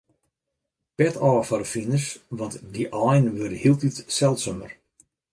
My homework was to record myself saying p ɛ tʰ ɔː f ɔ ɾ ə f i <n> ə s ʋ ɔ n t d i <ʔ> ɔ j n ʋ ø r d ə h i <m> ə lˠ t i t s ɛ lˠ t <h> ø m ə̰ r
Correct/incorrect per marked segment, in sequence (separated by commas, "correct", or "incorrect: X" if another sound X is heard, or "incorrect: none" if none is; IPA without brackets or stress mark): correct, correct, incorrect: none, incorrect: s